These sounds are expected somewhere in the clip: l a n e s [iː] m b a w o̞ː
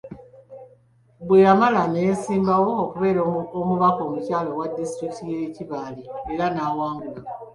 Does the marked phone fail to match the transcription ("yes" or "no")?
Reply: no